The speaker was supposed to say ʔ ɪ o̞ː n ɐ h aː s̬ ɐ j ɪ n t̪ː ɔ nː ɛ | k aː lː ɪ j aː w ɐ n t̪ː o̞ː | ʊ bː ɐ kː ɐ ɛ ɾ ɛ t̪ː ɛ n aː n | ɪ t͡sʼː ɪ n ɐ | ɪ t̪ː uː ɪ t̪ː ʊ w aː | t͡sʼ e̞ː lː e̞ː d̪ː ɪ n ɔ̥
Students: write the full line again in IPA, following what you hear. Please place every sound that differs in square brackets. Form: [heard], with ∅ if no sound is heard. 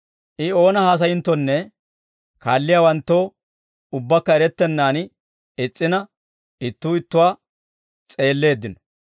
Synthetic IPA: ʔ ɪ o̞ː n ɐ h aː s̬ ɐ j ɪ n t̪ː ɔ nː ɛ | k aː lː ɪ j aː w ɐ n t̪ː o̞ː | ʊ bː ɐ kː ɐ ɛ ɾ ɛ t̪ː ɛ [nː] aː n | ɪ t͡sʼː ɪ n ɐ | ɪ t̪ː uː ɪ t̪ː ʊ w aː | t͡sʼ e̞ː lː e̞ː d̪ː ɪ n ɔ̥